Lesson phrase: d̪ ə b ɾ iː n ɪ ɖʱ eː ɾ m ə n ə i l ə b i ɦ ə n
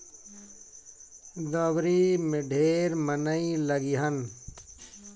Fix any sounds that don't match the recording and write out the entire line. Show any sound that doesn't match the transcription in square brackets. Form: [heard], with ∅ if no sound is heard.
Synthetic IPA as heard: d̪ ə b ɾ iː [m] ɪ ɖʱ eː ɾ m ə n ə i l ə [ɡ] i ɦ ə n